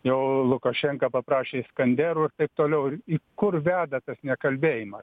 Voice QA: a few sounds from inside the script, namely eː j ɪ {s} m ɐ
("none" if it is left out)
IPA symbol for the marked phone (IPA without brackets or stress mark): none